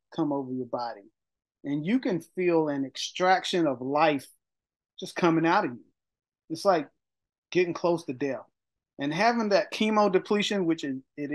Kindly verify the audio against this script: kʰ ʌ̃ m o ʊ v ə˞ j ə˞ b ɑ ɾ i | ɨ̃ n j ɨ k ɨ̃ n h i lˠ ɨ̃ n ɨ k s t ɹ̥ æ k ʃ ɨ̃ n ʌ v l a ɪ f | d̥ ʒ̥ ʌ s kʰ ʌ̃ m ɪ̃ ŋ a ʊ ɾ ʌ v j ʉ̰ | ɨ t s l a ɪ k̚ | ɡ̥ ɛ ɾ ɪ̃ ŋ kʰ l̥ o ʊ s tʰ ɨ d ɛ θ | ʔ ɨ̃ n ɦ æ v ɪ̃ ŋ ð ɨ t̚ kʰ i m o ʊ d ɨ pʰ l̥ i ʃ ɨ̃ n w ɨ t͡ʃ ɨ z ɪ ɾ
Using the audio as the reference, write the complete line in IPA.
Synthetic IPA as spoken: kʰ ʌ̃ m o ʊ v ə˞ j ə˞ b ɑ ɾ i | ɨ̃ n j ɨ k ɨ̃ n f i lˠ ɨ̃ n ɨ k s t ɹ̥ æ k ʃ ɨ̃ n ʌ v l a ɪ f | d̥ ʒ̥ ʌ s kʰ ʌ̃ m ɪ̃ ŋ a ʊ ɾ ʌ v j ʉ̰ | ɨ t s l a ɪ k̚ | ɡ̥ ɛ ɾ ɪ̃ ŋ kʰ l̥ o ʊ s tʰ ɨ d ɛ θ | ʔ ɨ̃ n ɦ æ v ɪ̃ ŋ ð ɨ t̚ kʰ i m o ʊ d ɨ pʰ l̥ i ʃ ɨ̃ n w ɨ t͡ʃ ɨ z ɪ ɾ